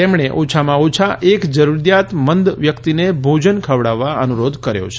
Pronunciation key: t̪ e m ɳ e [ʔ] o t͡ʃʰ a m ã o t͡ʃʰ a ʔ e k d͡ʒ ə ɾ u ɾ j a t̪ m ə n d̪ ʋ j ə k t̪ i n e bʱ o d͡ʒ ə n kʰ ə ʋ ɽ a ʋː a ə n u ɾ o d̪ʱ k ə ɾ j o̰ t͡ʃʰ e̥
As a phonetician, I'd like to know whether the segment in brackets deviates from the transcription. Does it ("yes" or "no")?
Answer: no